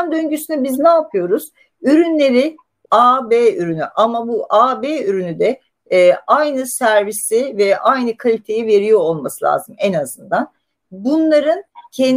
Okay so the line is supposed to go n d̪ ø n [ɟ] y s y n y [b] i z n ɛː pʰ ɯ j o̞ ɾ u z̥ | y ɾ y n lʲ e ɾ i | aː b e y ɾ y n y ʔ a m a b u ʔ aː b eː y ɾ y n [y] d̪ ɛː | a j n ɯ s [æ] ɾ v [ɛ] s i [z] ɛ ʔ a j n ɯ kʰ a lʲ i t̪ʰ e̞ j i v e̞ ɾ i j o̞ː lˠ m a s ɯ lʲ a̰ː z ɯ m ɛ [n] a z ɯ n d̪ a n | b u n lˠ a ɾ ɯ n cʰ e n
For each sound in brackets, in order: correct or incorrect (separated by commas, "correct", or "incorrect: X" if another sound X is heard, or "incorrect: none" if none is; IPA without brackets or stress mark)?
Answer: correct, correct, correct, correct, incorrect: i, incorrect: v, correct